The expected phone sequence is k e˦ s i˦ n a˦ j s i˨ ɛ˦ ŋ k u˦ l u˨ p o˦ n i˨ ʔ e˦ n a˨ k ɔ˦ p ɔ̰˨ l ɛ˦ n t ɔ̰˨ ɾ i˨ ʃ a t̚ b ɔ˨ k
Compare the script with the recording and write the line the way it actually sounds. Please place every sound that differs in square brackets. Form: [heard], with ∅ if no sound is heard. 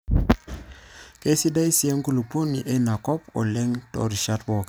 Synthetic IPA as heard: k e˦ s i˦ [d] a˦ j s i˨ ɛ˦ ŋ k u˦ l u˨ p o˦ n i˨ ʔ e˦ n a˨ k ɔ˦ p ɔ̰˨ l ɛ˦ [ŋ] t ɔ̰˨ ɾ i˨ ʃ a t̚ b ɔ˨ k

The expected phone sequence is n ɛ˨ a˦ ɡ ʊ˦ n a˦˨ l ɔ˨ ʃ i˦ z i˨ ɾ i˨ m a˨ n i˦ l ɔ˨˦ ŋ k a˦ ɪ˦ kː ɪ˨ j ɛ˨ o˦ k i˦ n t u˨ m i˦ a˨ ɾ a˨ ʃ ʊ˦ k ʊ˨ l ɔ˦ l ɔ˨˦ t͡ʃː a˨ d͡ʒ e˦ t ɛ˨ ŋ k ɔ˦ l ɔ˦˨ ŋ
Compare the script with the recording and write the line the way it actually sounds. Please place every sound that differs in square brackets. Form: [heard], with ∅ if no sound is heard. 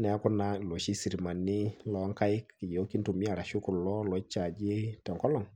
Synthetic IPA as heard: n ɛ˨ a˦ [k] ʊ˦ n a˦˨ l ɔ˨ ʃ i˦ [s] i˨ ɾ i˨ m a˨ n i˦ l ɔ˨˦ ŋ k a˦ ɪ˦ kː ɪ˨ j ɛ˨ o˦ k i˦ n t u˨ m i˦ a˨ ɾ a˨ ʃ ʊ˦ k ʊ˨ l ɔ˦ l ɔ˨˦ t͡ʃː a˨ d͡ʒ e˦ t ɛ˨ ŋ k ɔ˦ l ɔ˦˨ ŋ

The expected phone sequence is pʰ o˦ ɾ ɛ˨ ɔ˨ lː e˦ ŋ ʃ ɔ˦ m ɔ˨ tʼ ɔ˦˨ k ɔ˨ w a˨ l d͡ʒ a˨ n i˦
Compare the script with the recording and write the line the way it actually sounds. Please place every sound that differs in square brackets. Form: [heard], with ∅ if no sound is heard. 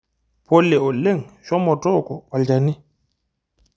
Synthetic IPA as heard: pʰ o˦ [l] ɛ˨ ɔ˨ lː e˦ ŋ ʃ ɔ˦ m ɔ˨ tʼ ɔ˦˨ k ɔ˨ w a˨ l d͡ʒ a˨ n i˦

